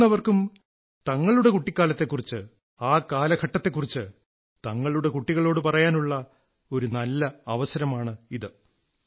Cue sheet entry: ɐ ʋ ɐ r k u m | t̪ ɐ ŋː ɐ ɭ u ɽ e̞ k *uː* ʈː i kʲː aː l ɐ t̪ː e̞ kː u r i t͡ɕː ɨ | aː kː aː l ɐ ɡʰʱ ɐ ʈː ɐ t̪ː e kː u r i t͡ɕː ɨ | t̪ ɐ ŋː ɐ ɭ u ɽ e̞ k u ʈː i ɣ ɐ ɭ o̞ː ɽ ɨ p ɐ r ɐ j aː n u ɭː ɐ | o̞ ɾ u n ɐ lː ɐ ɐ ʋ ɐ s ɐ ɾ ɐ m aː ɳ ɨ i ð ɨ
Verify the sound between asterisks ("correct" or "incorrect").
incorrect